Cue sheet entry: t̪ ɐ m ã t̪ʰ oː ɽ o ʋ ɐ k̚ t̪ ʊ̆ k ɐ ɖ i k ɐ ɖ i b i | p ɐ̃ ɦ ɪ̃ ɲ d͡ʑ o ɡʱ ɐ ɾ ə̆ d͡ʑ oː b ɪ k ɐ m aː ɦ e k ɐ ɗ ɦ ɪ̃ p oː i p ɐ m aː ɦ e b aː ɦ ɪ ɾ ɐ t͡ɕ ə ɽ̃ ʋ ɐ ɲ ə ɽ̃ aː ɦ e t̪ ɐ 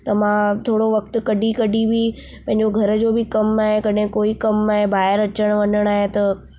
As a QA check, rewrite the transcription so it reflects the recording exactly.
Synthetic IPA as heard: t̪ ɐ m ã t̪ʰ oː ɽ o ʋ ɐ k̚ t̪ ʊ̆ k ɐ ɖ i k ɐ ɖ i b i | p ɐ̃ ɦ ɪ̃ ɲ d͡ʑ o ɡʱ ɐ ɾ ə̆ d͡ʑ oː b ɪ k ɐ m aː ɦ e k ɐ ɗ ɦ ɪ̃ k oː i k ɐ m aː ɦ e b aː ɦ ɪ ɾ ɐ t͡ɕ ə ɽ̃ ʋ ɐ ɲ ə ɽ̃ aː ɦ e t̪ ɐ